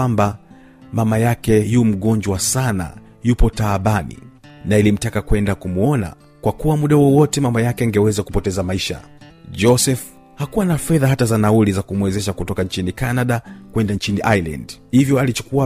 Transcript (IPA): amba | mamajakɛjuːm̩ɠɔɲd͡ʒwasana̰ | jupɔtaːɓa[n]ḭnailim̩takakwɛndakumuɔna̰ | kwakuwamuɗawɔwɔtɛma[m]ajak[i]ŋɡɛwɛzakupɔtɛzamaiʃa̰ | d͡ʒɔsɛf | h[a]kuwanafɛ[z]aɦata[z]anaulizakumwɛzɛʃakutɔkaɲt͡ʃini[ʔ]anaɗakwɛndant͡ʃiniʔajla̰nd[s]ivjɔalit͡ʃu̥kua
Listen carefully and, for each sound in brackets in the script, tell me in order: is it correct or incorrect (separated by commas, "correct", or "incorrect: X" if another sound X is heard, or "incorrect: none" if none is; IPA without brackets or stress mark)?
correct, correct, incorrect: ɛ, correct, incorrect: ð, correct, incorrect: k, incorrect: h